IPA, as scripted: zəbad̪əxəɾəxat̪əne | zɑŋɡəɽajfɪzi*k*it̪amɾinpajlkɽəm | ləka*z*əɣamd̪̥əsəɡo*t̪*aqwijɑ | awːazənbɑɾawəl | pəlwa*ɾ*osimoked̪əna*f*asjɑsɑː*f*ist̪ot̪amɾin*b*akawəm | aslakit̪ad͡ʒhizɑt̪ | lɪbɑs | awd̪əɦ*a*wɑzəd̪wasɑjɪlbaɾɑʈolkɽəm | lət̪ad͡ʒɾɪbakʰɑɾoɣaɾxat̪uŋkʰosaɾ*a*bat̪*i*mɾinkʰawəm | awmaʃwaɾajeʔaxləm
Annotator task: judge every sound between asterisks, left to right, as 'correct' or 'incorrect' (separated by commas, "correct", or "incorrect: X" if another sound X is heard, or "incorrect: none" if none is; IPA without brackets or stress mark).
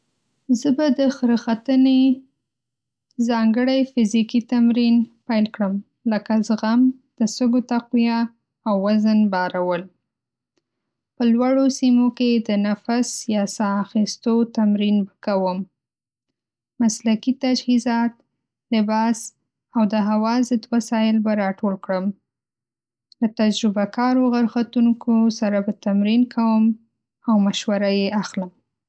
correct, correct, correct, incorrect: ɽ, correct, incorrect: x, correct, correct, correct, incorrect: a